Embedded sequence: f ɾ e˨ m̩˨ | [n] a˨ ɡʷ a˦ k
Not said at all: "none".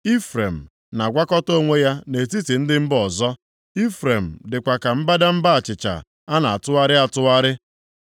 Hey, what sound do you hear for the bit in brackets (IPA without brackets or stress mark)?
n